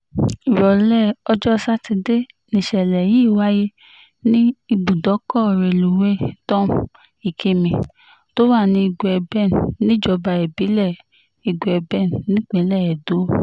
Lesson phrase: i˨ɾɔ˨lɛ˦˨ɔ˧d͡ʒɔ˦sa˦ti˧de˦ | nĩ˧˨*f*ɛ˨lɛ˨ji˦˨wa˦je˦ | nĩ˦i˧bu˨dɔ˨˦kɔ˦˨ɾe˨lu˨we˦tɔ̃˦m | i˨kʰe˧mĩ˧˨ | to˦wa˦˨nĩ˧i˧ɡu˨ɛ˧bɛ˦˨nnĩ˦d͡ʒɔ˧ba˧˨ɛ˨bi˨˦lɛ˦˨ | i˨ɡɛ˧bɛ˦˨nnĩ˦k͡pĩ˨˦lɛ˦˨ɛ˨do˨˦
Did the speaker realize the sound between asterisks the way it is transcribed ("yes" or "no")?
no